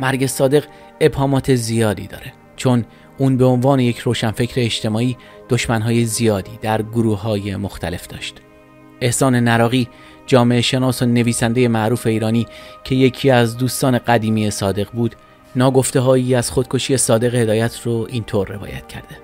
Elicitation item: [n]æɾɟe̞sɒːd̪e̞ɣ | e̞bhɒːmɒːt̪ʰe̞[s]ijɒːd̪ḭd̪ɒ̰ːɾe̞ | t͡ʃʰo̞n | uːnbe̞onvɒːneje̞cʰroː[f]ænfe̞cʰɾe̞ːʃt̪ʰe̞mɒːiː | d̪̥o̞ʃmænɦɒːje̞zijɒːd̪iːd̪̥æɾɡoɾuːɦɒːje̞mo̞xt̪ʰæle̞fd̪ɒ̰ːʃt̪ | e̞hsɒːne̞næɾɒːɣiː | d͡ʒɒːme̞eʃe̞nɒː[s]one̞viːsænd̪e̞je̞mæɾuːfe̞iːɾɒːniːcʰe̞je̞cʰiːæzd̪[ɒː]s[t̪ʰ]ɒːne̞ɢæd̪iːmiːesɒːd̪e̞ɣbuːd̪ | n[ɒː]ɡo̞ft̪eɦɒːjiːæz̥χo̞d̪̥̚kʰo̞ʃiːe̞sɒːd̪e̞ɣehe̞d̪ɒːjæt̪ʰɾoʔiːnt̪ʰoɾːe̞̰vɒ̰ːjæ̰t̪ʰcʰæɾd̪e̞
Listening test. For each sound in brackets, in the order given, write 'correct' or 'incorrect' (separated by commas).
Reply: incorrect, incorrect, incorrect, correct, incorrect, incorrect, correct